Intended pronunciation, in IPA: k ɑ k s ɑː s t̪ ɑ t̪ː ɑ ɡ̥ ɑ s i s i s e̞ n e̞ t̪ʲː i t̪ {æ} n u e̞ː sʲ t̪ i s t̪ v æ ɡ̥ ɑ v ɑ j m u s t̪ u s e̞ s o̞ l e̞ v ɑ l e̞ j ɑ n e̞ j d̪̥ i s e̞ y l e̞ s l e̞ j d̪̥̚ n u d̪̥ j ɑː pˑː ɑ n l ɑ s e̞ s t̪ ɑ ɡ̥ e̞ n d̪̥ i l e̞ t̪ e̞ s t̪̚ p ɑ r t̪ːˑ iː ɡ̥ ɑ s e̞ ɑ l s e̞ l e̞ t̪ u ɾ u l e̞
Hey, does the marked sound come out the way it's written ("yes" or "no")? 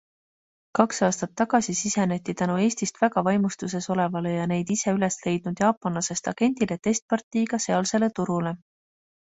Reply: yes